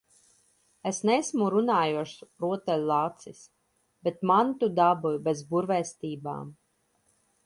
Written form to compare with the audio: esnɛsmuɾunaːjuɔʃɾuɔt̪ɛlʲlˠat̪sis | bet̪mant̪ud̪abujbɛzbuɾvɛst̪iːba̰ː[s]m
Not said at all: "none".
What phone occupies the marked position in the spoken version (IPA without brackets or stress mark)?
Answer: none